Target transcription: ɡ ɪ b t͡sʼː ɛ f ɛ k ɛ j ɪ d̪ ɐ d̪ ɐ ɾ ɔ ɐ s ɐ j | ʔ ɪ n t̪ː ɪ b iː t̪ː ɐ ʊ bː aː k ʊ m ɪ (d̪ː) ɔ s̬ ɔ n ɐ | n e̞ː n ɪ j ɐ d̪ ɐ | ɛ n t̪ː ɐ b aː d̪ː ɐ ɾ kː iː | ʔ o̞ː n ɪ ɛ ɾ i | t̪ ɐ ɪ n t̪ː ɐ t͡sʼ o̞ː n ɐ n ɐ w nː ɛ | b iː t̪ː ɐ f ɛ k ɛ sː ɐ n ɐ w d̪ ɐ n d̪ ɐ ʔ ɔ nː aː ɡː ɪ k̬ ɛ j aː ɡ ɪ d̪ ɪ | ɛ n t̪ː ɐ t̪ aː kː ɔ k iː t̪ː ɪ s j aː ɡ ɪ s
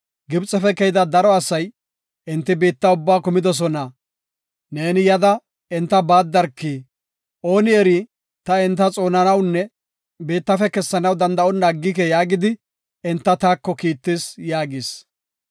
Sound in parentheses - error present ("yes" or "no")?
yes